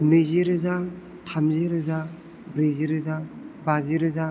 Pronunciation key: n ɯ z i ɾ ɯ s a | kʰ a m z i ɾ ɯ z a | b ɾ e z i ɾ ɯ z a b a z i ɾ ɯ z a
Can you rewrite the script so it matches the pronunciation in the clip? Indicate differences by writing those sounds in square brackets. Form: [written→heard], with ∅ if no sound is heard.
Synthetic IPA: n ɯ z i ɾ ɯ [s→z] a | [kʰ→tʰ] a m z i ɾ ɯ z a | b ɾ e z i ɾ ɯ z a b a z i ɾ ɯ z a